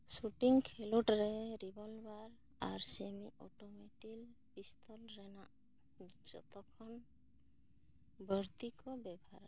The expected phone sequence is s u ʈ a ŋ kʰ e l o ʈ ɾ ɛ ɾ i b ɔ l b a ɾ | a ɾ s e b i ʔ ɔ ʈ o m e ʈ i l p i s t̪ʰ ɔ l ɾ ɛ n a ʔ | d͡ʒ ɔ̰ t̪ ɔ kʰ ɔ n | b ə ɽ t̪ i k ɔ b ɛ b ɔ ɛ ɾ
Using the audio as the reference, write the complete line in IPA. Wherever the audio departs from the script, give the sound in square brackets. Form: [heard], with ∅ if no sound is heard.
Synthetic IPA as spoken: s u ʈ [i] ŋ kʰ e l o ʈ ɾ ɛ ɾ i b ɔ l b a ɾ | a ɾ s e [m] i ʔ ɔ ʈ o m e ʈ i l p i s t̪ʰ ɔ l ɾ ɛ n a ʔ | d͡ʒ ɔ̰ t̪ ɔ kʰ ɔ n | b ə [ɾ] t̪ i k ɔ b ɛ b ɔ [a] ɾ